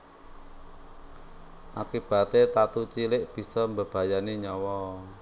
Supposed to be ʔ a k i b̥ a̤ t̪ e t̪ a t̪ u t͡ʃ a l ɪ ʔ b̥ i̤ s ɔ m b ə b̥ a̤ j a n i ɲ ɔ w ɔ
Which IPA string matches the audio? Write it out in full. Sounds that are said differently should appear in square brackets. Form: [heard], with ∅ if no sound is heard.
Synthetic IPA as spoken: ʔ a k i b̥ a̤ t̪ e t̪ a t̪ u t͡ʃ [i] l ɪ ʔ b̥ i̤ s ɔ m b ə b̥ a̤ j a n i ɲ ɔ w ɔ